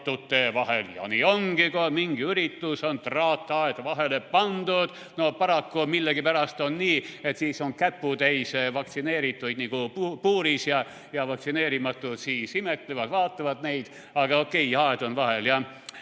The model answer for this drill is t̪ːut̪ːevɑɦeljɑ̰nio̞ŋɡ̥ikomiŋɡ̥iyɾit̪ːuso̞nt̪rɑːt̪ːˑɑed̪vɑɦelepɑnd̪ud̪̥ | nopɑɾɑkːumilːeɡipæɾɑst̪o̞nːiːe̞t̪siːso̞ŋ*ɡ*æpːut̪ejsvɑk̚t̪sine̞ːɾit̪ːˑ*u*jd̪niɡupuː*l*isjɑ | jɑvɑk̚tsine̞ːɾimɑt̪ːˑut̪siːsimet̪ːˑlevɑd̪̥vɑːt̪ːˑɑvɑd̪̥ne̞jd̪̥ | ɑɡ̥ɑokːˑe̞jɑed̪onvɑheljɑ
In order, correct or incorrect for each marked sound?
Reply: incorrect: k, correct, incorrect: ɾ

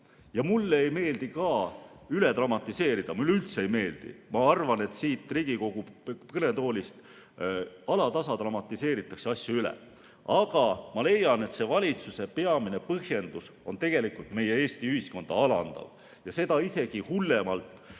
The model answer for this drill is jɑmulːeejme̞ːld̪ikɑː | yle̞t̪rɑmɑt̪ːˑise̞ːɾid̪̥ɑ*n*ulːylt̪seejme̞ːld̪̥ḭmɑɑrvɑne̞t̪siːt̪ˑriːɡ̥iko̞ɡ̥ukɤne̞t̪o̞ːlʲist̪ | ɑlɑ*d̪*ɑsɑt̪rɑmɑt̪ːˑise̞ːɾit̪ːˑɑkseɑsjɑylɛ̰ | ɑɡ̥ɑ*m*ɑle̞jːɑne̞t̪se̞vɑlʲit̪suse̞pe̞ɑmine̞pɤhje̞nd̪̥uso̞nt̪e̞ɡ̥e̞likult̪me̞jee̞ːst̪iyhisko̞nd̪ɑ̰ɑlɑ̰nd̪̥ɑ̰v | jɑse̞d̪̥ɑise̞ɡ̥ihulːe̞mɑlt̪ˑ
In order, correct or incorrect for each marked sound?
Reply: incorrect: m, incorrect: t̪, correct

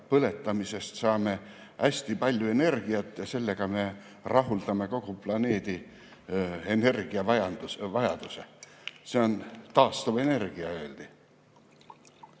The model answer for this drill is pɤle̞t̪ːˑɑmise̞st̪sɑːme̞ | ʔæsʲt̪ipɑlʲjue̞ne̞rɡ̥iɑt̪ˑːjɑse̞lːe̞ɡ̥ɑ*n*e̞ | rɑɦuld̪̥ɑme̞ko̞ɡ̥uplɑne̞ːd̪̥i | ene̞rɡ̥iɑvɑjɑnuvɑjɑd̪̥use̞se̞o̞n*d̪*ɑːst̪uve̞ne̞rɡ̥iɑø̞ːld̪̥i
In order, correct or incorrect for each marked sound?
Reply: incorrect: m, incorrect: t̪

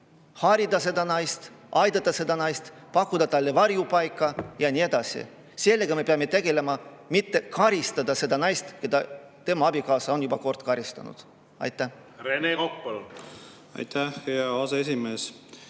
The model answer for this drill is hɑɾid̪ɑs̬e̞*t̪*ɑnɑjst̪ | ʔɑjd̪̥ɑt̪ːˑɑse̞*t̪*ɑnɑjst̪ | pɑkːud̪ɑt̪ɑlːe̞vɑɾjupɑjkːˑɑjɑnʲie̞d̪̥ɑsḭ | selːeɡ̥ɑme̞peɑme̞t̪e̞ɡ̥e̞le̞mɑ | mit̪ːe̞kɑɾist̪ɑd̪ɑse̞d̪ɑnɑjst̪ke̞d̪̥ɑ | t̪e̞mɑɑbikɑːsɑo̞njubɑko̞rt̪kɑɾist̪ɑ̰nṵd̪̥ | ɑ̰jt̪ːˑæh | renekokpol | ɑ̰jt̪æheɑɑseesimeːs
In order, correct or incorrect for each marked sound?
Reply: incorrect: d̪, incorrect: d̪

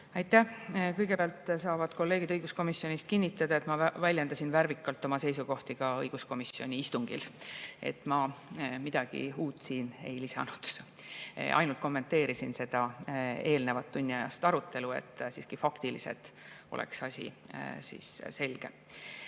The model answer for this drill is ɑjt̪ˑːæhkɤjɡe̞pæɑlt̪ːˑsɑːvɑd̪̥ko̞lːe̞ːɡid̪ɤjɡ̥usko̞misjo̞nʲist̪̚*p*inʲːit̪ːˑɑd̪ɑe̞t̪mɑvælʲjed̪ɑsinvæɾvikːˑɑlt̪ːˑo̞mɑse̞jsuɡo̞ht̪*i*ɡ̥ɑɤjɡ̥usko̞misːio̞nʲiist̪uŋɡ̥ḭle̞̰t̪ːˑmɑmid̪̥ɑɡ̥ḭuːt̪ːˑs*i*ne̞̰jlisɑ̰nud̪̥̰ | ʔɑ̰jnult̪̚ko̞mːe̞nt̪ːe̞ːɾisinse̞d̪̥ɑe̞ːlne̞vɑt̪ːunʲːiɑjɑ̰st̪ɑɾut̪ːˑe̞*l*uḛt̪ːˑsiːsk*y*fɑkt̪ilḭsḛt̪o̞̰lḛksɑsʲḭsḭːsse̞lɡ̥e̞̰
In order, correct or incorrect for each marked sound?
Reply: incorrect: k, correct, incorrect: iː, correct, incorrect: i

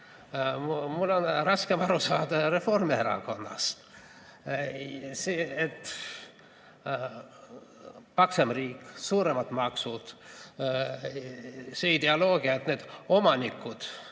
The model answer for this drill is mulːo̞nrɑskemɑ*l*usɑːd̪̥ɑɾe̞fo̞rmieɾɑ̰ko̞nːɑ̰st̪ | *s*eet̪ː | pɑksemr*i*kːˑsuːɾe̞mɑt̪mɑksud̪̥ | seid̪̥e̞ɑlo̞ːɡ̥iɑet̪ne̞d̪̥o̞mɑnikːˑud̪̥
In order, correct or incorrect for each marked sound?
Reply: incorrect: ɾ, correct, incorrect: iː

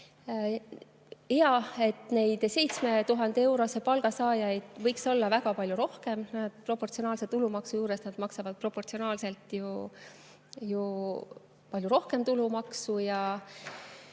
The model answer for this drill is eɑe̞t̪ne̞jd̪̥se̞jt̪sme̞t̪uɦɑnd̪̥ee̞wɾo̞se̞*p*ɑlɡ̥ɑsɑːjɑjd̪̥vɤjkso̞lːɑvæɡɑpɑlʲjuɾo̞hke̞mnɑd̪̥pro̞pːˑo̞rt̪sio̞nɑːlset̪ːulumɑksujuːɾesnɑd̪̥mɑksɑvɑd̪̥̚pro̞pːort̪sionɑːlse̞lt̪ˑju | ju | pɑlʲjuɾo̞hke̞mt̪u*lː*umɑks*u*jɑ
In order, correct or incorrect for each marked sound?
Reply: correct, incorrect: l, correct

